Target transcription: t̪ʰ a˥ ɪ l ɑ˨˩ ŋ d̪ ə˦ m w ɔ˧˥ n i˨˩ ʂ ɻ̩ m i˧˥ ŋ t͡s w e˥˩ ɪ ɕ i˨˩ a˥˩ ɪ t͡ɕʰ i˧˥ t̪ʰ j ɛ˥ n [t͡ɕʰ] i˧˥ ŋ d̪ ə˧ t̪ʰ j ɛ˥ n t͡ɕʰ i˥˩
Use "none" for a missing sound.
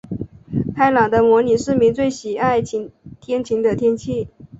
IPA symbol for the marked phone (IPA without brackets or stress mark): t͡ɕʰ